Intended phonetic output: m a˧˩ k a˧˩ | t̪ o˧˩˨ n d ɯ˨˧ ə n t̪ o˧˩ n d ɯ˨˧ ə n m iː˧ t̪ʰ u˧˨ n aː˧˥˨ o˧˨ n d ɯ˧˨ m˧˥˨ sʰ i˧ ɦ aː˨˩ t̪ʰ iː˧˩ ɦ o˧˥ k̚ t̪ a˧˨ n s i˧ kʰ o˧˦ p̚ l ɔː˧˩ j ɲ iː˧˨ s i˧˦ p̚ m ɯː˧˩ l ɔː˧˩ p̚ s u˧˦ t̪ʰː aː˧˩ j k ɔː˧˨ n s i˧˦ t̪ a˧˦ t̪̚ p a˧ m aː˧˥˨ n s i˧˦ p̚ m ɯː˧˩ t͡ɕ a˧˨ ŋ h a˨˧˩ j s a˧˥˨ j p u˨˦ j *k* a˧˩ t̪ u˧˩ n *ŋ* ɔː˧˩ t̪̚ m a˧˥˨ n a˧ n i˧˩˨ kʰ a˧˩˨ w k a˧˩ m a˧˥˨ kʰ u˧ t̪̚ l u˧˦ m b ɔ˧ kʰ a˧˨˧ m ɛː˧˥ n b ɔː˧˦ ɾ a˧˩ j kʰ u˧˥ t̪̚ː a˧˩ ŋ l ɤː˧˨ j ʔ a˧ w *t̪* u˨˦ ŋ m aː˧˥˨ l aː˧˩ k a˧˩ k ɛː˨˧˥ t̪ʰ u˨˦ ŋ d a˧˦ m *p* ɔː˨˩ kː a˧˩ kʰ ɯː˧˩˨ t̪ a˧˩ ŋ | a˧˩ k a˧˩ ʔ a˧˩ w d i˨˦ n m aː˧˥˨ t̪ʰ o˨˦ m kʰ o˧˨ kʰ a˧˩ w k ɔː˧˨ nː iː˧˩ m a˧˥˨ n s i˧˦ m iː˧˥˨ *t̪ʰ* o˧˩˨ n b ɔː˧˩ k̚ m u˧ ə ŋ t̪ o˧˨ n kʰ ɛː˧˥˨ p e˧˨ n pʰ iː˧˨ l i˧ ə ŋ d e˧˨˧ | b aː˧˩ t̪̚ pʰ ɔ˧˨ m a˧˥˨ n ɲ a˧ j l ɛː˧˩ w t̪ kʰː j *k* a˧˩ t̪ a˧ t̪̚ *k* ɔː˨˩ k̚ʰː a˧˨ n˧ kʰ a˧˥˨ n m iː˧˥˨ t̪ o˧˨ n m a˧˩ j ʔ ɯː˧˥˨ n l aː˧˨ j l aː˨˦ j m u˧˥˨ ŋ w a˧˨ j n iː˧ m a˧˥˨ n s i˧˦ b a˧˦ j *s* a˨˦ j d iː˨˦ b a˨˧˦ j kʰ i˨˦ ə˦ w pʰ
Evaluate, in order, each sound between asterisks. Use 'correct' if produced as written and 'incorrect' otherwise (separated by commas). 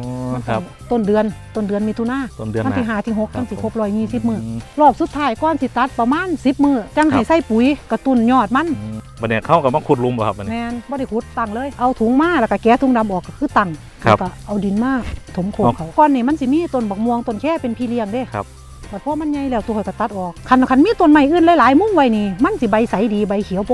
correct, incorrect, incorrect, incorrect, incorrect, correct, incorrect, correct